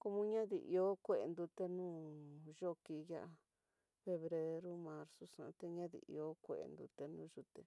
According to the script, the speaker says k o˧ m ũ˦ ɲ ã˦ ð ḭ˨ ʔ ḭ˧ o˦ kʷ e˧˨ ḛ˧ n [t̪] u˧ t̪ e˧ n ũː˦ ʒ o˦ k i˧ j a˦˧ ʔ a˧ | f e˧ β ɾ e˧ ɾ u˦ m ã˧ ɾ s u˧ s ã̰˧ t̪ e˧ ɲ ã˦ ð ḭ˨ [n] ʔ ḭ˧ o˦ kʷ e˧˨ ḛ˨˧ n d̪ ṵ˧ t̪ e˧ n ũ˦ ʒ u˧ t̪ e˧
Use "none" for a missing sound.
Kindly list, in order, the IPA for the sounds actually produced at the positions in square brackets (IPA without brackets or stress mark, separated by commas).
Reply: d̪, none